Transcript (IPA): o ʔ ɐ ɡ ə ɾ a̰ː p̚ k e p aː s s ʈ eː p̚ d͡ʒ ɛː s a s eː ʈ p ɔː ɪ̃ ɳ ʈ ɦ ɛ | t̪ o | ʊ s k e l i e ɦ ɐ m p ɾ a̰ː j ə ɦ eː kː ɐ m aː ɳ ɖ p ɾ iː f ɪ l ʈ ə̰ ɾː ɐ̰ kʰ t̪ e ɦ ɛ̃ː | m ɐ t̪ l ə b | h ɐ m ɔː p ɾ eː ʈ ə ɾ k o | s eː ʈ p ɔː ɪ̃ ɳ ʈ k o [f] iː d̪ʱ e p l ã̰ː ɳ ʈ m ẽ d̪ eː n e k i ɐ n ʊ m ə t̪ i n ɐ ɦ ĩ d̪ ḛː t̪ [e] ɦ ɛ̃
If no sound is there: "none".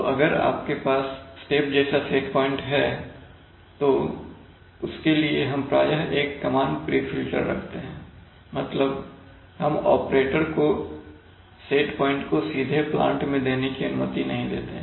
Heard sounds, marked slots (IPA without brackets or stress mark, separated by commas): s, e